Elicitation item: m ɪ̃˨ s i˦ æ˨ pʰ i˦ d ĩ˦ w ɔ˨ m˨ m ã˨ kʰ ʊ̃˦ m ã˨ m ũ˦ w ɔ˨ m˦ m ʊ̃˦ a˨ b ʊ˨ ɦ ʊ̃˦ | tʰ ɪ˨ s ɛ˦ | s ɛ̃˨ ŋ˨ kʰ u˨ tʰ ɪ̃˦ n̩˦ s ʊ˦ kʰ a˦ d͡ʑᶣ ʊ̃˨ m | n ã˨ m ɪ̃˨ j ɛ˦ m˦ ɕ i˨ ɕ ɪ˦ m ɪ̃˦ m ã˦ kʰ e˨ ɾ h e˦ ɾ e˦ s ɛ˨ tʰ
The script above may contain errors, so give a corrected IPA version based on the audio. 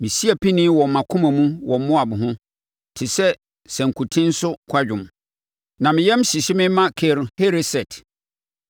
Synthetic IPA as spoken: m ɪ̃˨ s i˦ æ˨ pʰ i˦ n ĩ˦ w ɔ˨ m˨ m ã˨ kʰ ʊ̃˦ m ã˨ m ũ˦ w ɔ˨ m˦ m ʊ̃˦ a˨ b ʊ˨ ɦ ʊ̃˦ | tʰ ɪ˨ s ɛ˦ | s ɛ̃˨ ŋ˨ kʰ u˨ tʰ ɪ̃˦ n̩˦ s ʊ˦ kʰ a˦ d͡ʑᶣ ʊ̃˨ m | n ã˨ m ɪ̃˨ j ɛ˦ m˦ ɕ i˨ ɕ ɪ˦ m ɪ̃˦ m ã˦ kʰ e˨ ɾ h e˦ ɾ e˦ s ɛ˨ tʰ